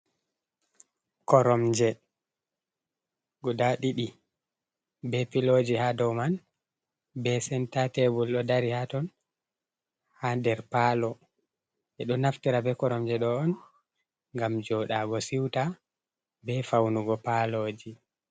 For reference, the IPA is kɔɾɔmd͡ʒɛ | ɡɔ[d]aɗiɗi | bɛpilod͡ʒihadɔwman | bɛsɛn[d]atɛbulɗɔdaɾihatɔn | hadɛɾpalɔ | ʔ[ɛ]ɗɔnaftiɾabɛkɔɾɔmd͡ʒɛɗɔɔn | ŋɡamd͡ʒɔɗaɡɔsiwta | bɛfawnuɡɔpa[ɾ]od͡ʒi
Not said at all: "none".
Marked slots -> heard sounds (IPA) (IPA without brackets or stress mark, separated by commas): d, t, ɛ, l